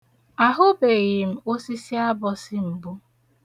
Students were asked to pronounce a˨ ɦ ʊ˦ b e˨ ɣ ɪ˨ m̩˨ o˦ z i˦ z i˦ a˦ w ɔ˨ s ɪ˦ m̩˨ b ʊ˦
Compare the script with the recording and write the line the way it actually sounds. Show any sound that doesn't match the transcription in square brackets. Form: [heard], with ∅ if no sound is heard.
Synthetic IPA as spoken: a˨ ɦ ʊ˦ b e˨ ɣ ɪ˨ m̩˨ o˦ [s] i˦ [s] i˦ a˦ [b] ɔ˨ s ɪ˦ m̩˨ b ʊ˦